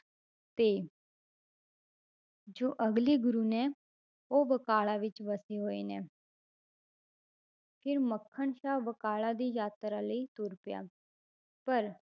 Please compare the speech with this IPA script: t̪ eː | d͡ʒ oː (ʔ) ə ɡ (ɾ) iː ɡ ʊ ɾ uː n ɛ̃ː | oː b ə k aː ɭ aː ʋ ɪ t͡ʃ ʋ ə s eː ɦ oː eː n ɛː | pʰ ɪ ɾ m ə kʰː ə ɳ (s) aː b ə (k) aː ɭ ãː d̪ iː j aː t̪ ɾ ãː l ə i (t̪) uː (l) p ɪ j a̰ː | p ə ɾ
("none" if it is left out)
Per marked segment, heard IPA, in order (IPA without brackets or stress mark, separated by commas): ʔ, l, ʃ, k, t̪, ɾ